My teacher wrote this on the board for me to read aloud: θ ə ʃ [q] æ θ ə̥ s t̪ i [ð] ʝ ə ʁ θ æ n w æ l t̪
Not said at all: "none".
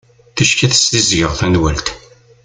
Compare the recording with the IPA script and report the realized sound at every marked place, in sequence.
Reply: k, z

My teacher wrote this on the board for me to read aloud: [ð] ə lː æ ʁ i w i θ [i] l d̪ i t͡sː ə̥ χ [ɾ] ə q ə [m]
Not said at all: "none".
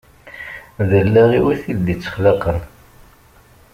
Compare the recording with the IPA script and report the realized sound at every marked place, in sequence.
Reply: ð, i, l, n

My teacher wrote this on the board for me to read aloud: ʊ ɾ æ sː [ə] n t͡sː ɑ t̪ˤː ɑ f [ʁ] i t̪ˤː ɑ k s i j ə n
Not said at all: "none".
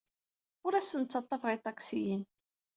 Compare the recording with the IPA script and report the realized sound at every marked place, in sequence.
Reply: ə, ʁ

